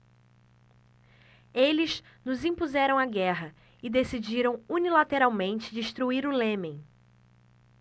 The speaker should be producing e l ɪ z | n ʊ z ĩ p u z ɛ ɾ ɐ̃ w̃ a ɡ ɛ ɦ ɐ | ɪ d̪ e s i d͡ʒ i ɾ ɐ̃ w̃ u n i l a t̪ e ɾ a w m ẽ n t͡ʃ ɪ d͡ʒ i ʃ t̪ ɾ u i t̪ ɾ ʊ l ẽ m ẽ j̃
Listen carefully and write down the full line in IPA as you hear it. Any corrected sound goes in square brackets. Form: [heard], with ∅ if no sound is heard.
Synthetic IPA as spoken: e l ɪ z | n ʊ z ĩ p u z ɛ ɾ ɐ̃ w̃ a ɡ ɛ ɦ ɐ | ɪ d̪ e s i d͡ʒ i ɾ ɐ̃ w̃ u n i l a t̪ e ɾ a w m ẽ n t͡ʃ ɪ d͡ʒ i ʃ t̪ ɾ u i [∅] ɾ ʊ l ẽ m ẽ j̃